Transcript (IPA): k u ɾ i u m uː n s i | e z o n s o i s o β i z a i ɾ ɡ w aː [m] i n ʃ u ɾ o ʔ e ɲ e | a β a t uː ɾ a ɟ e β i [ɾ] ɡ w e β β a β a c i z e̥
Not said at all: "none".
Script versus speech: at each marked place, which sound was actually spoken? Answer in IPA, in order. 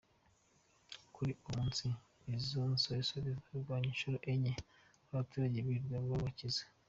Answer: ɲ, ɾ

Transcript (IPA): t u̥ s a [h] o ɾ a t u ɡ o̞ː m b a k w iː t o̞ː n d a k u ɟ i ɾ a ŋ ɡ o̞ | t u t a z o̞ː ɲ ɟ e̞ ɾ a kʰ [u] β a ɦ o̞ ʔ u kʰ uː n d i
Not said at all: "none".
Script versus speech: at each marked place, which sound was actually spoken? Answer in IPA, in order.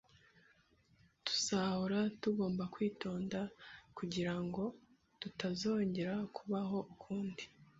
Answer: h, u

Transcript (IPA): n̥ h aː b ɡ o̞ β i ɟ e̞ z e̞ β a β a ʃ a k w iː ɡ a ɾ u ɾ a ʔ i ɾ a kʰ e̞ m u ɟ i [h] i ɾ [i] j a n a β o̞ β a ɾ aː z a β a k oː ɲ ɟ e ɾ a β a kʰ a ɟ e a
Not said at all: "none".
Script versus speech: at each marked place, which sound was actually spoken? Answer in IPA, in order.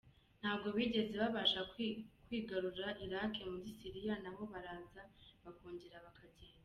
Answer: s, i

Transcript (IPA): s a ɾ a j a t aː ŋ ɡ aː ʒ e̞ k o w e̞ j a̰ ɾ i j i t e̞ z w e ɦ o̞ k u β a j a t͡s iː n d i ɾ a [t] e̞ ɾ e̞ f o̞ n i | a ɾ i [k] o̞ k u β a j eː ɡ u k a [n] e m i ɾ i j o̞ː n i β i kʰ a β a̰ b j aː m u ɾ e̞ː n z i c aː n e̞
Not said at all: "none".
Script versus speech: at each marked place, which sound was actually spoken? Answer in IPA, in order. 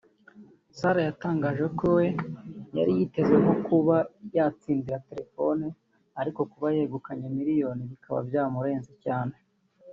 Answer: t, k, ɲ

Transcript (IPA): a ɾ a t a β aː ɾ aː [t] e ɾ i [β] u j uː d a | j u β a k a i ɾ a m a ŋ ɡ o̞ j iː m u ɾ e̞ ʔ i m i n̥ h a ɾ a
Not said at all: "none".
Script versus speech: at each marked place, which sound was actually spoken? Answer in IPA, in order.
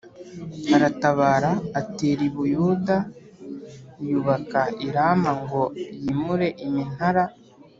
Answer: t, β

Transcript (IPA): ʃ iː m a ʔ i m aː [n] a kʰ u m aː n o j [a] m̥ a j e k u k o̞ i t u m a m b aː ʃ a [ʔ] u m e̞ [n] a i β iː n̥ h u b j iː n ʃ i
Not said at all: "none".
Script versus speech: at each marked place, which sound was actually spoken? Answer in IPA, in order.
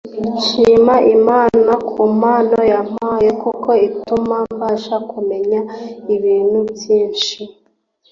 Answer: n, a, k, ɲ

